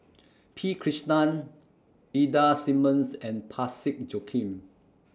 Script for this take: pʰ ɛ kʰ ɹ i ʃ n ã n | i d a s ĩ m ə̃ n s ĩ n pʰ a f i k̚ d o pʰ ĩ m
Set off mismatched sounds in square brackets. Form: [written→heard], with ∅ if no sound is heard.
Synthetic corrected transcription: pʰ [ɛ→i] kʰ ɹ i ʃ n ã n | i d a s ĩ m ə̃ n s [ĩ→ɛ̃] n pʰ a [f→s] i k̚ [d→d͡ʒ] o [pʰ→kʰ] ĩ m

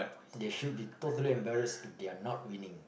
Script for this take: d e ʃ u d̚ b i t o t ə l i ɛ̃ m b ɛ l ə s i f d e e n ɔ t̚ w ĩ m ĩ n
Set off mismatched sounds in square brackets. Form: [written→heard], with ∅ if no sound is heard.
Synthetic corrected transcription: d e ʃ u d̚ b i t o t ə l i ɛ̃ m b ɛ [l→ɹ] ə s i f d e [e→a] n ɔ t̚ w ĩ [m→n] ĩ [n→ŋ]

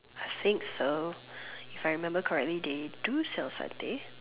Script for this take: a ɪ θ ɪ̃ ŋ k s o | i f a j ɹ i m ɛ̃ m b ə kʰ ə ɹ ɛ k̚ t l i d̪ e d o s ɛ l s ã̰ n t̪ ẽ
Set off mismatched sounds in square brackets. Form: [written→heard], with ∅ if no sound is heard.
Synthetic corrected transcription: a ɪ θ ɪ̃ ŋ k s o | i f a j ɹ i m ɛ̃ m b ə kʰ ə ɹ ɛ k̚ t l i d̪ e d [o→u] s ɛ l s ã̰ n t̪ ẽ

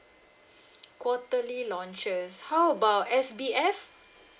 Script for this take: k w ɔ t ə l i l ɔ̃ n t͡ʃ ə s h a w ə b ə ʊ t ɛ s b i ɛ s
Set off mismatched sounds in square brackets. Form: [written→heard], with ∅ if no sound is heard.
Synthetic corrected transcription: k w ɔ t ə l i l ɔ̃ n t͡ʃ ə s h a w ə b [ə→a] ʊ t ɛ s b i ɛ [s→f]

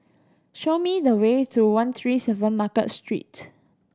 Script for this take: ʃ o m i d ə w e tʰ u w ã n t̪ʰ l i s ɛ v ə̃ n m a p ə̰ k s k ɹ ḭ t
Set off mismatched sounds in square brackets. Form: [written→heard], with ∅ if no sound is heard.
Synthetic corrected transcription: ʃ o m i d ə w e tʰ u w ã n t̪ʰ [l→ɹ] i s ɛ v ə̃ n m a [p→k] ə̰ [k→t] s [k→t] ɹ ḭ t

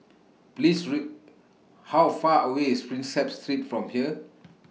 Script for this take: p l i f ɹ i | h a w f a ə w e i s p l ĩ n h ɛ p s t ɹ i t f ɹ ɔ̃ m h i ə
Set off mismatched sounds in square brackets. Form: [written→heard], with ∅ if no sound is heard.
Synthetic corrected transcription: p l i [f→s] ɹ i | h a w f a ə w e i s p [l→ɹ] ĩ n [h→s] ɛ p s t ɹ i t f ɹ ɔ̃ m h i ə

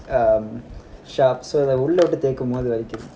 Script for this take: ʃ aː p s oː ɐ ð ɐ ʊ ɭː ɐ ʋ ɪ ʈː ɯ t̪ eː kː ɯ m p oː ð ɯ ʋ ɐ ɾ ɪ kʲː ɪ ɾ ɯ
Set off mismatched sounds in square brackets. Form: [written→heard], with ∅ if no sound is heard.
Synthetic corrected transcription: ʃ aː p s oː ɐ ð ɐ ʊ ɭː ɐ ʋ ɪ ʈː ɯ t̪ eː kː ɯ m p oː ð ɯ ʋ ɐ ɾ ɪ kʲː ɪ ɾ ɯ

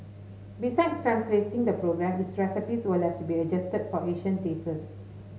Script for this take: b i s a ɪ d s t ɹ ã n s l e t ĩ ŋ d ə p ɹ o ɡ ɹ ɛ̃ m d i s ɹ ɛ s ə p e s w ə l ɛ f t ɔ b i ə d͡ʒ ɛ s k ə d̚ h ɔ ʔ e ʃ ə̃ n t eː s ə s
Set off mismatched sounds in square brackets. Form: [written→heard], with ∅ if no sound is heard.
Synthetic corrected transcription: b i s a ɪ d s t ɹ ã n s l e t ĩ ŋ d ə p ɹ o ɡ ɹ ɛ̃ m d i s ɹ ɛ s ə p [e→i] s w ə l ɛ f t [ɔ→u] b i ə d͡ʒ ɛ s [k→t] ə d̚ [h→f] ɔ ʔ e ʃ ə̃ n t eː s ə s

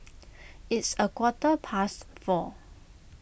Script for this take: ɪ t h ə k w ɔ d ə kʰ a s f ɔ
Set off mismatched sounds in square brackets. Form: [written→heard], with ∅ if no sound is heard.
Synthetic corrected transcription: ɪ t [h→s] ə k w ɔ [d→t] ə [kʰ→pʰ] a s f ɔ

